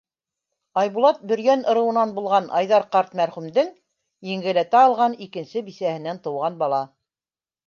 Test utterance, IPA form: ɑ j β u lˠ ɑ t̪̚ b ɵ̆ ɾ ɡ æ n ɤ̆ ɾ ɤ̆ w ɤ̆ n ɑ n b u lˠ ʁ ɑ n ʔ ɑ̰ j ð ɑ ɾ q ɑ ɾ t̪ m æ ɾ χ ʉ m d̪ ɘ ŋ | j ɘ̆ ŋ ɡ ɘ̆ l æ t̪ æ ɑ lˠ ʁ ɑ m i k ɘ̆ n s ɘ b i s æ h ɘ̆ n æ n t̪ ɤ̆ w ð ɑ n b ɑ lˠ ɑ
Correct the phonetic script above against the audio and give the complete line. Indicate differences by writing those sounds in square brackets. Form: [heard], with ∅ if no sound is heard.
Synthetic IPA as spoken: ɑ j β u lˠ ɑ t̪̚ b ɵ̆ ɾ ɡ æ n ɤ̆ ɾ ɤ̆ w ɤ̆ n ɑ n b u lˠ ʁ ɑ n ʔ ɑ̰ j ð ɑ ɾ q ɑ ɾ t̪ m æ ɾ χ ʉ m d̪ ɘ ŋ | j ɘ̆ ŋ ɡ ɘ̆ l æ t̪ æ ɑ lˠ ʁ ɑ [n] i k ɘ̆ n s ɘ b i s æ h ɘ̆ n æ n t̪ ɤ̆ w [ʁ] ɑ n b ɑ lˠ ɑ